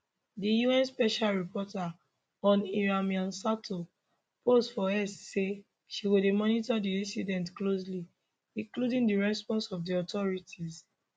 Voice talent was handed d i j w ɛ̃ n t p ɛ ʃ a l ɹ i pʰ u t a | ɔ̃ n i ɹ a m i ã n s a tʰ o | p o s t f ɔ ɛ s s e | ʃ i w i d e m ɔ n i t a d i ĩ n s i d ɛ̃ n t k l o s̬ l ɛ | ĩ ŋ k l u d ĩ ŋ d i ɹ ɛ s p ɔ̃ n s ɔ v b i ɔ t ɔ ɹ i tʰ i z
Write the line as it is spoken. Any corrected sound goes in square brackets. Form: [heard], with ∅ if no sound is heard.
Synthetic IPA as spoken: d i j [u] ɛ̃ n [s] p ɛ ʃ a l ɹ i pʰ [ɔ] t a | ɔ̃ n i ɹ a m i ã n s a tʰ o | p o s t f ɔ ɛ s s e | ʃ i w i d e m ɔ n i t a d i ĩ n s i d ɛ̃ n t k l o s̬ l [i] | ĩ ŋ k l u d ĩ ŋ d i ɹ ɛ s p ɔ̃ n s ɔ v [d] i ɔ t ɔ ɹ i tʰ i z